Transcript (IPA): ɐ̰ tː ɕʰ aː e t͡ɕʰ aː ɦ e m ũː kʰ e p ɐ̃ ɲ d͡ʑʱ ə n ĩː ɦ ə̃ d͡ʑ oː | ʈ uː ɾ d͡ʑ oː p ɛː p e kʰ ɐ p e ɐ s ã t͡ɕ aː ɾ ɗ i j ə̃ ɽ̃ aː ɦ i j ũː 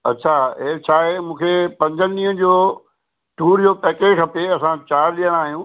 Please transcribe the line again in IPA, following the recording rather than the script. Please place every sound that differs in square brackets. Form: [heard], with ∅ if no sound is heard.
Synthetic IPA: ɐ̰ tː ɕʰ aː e t͡ɕʰ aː ɦ e m ũː kʰ e p ɐ̃ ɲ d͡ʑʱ ə n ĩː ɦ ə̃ d͡ʑ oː | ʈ uː ɾ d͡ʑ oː p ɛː [k] e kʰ ɐ p e ɐ s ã t͡ɕ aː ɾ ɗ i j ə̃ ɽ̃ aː ɦ i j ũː